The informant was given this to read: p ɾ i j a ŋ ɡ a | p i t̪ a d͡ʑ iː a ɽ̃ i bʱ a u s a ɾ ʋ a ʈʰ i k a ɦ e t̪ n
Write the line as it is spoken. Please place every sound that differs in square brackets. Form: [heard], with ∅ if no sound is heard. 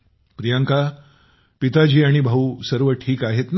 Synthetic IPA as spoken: p ɾ i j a ŋ [k] a | p i t̪ a d͡ʑ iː a ɽ̃ i bʱ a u s [ə] ɾ ʋ [ə] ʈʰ [iː] k a ɦ e t̪ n